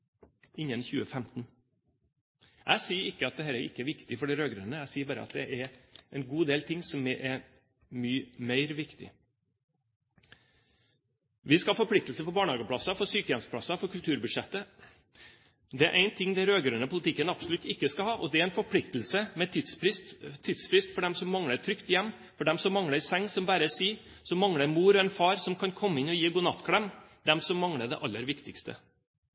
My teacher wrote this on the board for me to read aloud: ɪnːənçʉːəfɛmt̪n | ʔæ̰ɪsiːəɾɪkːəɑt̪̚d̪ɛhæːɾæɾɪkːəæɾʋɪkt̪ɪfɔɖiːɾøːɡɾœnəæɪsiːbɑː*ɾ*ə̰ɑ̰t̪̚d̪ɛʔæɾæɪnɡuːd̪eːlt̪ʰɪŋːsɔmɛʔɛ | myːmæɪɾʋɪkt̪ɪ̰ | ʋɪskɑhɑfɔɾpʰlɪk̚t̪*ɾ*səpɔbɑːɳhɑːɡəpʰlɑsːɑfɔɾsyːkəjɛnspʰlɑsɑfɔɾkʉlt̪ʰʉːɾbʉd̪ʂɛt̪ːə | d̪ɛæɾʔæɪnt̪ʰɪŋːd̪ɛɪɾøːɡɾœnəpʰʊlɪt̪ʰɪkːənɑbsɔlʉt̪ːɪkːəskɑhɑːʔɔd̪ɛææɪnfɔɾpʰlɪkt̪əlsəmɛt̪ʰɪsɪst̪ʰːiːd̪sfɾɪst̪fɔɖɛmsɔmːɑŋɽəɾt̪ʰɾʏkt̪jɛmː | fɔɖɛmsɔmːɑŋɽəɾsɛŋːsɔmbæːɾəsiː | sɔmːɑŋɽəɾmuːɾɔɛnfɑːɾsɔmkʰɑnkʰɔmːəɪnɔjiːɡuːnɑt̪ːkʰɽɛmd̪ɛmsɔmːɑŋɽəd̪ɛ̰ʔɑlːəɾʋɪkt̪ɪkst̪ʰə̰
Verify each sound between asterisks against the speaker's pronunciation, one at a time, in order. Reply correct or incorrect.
correct, incorrect: l

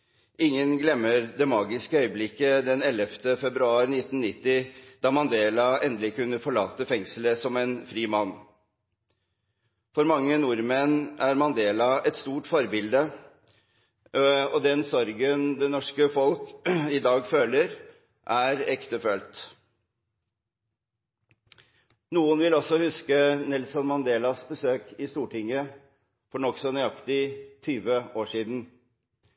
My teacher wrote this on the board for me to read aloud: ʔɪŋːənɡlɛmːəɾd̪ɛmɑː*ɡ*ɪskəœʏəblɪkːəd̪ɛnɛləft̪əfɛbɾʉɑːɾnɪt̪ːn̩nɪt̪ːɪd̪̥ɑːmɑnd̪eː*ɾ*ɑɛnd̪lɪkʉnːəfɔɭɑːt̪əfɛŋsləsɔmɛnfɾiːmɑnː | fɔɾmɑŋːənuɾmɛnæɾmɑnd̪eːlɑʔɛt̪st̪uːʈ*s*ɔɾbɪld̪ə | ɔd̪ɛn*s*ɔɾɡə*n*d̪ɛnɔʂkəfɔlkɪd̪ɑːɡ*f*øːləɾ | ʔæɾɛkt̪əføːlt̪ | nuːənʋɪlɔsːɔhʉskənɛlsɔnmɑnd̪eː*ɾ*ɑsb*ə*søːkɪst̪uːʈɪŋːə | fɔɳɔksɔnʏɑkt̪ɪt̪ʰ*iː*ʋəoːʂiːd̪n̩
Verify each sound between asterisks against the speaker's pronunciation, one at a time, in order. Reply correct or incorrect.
correct, incorrect: l, incorrect: f, correct, correct, correct, incorrect: l, correct, incorrect: yː

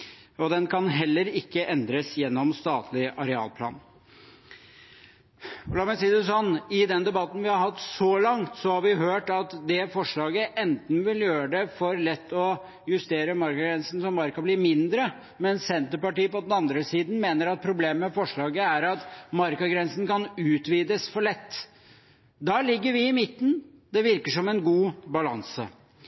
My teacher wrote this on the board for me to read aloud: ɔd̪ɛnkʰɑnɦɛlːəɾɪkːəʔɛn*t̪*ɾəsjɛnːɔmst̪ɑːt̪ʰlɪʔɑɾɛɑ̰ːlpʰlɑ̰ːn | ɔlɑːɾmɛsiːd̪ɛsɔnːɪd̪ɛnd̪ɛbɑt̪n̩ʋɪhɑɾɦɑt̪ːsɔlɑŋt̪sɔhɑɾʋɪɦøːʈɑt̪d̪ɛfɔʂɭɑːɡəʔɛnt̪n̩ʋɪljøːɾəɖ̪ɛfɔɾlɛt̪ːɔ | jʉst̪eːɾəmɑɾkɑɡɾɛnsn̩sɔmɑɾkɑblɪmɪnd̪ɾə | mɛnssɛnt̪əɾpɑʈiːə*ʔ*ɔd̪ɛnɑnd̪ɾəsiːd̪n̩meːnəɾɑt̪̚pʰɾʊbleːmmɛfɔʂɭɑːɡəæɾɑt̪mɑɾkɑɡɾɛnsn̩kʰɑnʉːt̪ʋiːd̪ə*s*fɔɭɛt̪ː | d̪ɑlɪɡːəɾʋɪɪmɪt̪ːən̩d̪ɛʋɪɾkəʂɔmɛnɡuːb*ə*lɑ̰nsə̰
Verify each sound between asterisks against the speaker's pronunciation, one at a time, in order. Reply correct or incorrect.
incorrect: d̪, incorrect: p, correct, incorrect: ɑ

